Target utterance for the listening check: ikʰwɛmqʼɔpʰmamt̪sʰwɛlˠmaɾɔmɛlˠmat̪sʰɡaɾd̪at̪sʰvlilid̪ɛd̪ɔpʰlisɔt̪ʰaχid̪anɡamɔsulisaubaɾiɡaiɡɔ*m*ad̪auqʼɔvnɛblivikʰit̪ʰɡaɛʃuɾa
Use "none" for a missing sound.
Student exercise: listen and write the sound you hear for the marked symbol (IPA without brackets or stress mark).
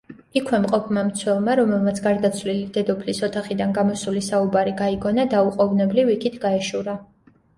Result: n